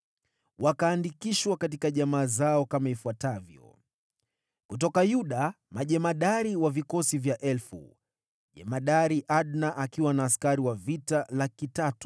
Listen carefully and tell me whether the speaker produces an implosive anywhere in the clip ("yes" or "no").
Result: yes